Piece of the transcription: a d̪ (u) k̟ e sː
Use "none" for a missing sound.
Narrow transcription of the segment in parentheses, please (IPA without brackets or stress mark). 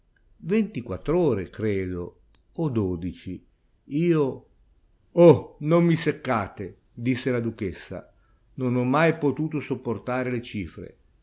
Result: u